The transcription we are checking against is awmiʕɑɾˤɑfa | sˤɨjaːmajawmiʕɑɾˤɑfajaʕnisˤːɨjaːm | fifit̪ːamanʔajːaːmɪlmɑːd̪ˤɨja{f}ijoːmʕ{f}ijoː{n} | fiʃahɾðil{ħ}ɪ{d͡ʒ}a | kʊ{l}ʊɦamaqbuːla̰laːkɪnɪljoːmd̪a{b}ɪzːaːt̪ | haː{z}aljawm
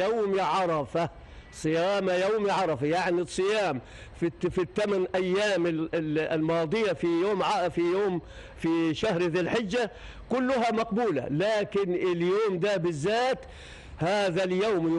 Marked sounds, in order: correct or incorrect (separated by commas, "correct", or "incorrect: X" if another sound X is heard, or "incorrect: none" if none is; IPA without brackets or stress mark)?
correct, correct, incorrect: m, correct, incorrect: d͡ʒː, incorrect: lː, correct, incorrect: ð